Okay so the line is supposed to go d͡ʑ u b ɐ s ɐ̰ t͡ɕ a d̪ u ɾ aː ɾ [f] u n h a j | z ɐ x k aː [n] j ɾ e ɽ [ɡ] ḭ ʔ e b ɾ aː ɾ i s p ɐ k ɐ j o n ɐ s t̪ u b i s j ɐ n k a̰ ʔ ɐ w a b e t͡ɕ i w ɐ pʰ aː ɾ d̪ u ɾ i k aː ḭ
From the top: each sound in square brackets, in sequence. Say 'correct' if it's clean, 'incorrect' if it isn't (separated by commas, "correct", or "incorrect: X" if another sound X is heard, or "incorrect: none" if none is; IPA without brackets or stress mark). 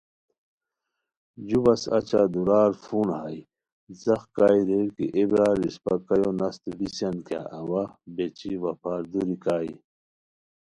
correct, incorrect: none, incorrect: k